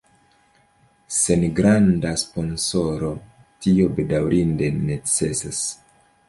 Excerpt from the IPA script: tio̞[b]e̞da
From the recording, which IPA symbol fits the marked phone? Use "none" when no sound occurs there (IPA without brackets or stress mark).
b